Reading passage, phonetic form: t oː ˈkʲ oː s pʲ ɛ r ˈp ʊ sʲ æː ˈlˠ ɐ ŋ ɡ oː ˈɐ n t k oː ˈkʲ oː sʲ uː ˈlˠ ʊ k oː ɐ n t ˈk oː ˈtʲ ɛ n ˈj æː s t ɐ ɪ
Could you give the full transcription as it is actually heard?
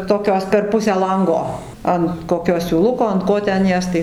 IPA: t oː ˈkʲ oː s pʲ ɛ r ˈp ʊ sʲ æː ˈlˠ ɐ ŋ ɡ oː ˈɐ n t k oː ˈkʲ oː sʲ uː ˈlˠ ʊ k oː ɐ n t ˈk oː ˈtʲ ɛ n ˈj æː s t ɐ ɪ